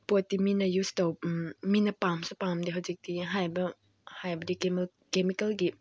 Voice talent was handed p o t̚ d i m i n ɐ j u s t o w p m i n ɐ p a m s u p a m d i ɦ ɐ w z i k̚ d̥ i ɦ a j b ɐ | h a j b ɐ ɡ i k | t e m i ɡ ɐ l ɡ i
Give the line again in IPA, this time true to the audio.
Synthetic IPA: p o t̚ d i m i n ɐ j u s t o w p m i n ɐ p a m s u p a m d i ɦ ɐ w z i k̚ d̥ i ɦ a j b ɐ | h a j b ɐ d i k | k e m i k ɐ l ɡ i